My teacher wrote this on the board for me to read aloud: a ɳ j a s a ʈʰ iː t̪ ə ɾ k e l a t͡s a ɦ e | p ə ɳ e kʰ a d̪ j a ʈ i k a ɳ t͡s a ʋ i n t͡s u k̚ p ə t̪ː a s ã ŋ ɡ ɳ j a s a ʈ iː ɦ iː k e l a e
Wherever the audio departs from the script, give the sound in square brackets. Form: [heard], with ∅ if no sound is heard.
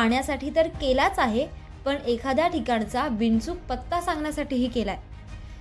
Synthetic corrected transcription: a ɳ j a s a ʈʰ iː t̪ ə ɾ k e l a t͡s a ɦ e | p ə ɳ e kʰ a d̪ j a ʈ i k a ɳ t͡s a ʋ i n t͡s u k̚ p ə t̪ː a s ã ŋ ɡ ɳ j a s a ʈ iː ɦ iː k e l a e